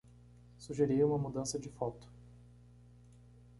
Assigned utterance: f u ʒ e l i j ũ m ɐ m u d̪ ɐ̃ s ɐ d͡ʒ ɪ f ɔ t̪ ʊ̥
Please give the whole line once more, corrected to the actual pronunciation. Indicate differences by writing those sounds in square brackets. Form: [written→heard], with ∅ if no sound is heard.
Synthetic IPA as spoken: [f→s] u ʒ e [l→ɾ] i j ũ m ɐ m u d̪ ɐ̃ s ɐ d͡ʒ ɪ f ɔ t̪ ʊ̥